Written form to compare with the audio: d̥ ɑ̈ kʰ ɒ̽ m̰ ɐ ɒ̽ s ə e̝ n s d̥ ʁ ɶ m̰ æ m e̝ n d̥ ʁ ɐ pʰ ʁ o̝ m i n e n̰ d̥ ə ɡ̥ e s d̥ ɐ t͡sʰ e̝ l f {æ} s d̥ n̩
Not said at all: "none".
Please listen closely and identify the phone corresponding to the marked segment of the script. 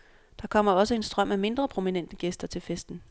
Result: e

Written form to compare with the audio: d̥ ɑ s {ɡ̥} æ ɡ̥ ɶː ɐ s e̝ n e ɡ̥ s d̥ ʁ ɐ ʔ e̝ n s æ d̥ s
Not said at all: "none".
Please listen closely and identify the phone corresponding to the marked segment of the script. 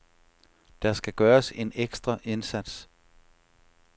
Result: ɡ̥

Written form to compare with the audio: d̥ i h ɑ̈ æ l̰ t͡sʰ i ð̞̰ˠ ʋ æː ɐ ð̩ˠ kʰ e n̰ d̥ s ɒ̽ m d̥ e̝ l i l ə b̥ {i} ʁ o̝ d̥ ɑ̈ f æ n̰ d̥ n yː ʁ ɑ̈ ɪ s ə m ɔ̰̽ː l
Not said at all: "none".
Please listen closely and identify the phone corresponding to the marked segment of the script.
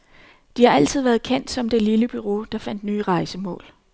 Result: y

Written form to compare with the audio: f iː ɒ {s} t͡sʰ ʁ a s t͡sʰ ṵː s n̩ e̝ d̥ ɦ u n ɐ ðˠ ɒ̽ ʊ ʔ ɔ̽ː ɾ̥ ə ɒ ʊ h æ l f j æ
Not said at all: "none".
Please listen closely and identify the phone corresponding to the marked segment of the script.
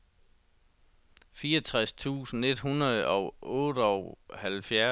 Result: none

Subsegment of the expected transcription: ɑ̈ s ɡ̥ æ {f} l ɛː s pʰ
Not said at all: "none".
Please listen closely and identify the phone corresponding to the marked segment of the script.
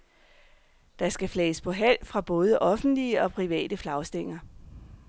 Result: f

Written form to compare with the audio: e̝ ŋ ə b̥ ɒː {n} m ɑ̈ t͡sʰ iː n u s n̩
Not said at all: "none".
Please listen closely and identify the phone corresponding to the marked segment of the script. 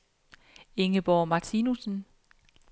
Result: none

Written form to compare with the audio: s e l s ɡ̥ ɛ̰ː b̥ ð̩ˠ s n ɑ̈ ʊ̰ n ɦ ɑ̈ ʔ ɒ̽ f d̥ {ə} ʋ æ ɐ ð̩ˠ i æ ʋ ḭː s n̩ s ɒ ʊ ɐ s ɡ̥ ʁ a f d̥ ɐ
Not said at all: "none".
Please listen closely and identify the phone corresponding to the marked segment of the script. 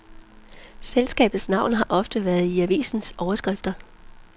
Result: ə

